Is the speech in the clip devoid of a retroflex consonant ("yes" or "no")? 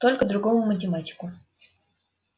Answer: yes